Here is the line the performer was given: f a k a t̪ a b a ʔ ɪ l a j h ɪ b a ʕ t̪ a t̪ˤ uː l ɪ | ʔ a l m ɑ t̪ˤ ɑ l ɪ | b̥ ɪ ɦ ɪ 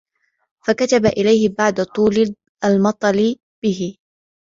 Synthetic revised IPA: f a k a t̪ a b a ʔ ɪ l a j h ɪ b a ʕ d̪ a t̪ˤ uː l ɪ | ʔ a l m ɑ t̪ˤ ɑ l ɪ | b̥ ɪ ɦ ɪ